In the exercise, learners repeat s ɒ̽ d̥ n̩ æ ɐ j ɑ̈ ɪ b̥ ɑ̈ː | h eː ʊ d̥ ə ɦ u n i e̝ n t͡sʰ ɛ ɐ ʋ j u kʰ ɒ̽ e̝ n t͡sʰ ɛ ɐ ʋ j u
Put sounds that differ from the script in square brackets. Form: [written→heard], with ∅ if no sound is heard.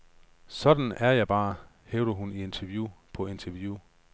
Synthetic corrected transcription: s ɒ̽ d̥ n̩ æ ɐ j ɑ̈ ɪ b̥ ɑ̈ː | h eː ʊ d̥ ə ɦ u n i e̝ n t͡sʰ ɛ ɐ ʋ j u [kʰ→pʰ] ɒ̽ e̝ n t͡sʰ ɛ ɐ ʋ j u